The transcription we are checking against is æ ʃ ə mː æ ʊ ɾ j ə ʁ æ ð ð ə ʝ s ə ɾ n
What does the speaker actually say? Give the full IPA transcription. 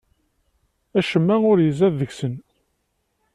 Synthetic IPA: æ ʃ ə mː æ ʊ ɾ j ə z æ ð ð ə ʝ s ə n